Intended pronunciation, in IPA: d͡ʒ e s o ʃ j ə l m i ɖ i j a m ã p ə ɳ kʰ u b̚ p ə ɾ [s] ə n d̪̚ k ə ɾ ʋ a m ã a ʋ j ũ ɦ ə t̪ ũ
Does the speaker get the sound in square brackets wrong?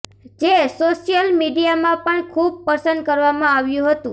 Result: no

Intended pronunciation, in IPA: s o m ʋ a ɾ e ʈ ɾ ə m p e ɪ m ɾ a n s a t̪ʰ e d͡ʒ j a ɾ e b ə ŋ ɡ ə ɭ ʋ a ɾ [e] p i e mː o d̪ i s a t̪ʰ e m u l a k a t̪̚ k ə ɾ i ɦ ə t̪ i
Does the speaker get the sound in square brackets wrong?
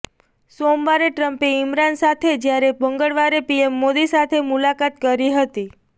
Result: no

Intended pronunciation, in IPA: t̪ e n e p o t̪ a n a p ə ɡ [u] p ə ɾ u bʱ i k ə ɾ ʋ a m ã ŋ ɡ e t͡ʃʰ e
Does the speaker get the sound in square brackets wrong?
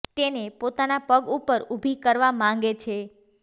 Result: no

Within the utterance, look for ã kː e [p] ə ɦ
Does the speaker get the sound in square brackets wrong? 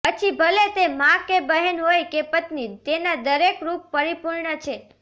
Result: yes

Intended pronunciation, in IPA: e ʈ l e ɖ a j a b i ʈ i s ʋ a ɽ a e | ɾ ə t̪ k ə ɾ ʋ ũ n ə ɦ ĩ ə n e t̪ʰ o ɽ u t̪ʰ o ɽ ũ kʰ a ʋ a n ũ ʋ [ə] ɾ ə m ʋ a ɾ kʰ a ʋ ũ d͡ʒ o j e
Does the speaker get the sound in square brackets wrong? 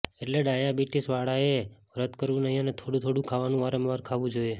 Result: yes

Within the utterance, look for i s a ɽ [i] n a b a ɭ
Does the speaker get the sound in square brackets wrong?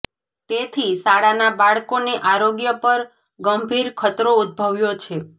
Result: yes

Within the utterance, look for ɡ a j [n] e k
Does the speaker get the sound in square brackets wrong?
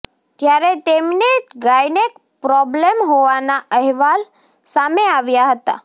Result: no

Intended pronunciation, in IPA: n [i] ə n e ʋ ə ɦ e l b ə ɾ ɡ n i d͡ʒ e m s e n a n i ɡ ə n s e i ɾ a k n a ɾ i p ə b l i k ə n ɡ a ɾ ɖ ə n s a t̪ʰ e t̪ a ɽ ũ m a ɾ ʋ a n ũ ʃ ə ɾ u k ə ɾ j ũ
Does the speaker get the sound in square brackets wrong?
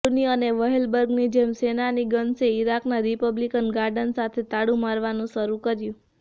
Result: no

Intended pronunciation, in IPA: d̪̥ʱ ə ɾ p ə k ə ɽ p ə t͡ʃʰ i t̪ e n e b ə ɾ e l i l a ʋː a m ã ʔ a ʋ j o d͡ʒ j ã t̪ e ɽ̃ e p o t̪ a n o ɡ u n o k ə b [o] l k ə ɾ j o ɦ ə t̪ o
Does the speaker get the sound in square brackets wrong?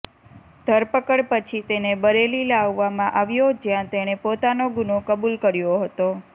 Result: yes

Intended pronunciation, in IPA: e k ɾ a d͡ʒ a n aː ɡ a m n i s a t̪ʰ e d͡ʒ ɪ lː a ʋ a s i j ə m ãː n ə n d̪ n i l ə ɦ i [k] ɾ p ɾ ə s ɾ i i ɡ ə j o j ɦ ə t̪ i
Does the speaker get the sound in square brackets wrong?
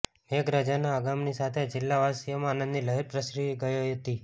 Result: yes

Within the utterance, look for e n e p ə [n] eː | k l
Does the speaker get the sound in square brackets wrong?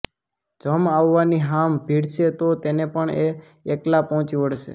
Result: yes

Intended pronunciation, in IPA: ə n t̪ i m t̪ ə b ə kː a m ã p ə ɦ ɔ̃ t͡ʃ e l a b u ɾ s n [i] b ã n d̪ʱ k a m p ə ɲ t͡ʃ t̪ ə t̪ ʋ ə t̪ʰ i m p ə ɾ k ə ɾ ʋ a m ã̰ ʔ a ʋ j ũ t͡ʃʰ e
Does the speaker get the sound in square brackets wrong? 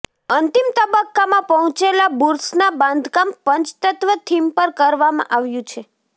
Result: yes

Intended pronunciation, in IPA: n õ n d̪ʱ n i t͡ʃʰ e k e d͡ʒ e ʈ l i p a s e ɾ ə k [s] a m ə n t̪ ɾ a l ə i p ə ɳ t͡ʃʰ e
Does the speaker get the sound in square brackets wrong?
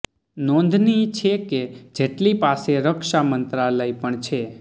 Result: yes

